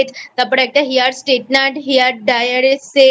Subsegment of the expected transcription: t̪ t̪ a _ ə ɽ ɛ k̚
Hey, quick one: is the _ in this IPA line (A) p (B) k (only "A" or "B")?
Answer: A